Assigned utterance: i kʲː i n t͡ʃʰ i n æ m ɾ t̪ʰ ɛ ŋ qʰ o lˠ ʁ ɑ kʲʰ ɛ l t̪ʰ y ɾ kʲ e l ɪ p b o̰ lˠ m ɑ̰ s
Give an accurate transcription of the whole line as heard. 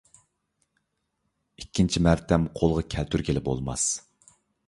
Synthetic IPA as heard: i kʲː i n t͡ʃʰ i m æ ɾ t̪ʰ ɛ m qʰ o lˠ ʁ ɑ kʲʰ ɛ l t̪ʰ y ɾ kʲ e l ɪ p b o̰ lˠ m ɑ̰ s